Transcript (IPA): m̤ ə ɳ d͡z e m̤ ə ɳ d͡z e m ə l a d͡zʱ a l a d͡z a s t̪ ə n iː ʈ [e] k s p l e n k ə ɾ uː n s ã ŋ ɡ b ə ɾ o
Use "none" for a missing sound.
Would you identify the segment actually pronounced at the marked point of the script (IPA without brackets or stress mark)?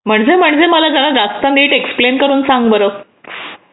e